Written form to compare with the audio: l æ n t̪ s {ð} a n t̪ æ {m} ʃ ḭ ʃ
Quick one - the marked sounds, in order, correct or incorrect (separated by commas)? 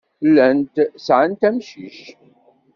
incorrect, correct